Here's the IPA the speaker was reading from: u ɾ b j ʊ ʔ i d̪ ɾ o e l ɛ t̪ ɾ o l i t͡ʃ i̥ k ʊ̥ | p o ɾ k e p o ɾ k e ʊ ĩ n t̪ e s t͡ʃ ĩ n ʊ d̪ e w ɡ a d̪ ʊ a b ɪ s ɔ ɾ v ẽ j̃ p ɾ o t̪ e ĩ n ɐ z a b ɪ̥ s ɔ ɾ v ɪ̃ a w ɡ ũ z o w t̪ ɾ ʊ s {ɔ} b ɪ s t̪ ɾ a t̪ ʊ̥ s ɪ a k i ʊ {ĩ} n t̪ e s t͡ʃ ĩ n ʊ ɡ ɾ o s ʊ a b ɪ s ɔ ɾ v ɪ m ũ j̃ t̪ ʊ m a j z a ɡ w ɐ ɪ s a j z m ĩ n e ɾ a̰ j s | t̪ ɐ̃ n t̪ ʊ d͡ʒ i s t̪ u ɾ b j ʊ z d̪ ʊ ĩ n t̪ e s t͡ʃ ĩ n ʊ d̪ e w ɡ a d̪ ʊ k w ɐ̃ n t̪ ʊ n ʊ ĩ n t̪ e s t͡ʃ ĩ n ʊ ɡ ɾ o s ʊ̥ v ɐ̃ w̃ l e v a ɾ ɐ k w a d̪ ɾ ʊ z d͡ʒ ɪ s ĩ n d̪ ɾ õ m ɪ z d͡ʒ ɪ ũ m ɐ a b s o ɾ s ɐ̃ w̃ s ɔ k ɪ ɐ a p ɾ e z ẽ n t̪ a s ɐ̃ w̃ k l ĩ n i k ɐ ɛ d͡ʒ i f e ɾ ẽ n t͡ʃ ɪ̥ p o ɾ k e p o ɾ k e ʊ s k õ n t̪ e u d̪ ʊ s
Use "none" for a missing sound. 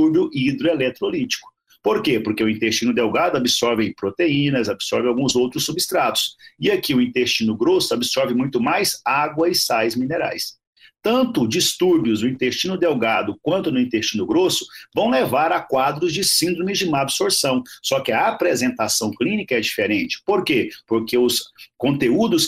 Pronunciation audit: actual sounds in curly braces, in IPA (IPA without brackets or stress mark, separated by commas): u, ĩ